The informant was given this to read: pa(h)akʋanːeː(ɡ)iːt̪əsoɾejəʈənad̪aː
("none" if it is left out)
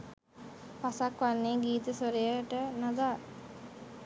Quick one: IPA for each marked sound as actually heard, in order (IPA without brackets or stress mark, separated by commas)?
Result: s, ɡ